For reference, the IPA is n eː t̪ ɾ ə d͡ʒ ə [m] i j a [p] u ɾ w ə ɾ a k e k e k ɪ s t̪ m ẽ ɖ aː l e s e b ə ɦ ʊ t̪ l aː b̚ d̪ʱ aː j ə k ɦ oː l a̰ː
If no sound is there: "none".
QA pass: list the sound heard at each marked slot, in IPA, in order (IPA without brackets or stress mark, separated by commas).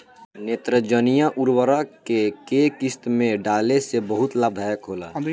n, ʔ